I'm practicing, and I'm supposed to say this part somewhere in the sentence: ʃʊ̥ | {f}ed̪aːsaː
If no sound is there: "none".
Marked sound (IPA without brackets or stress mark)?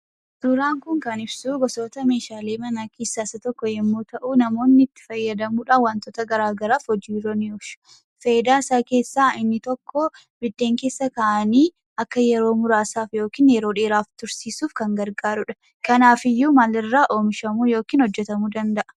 f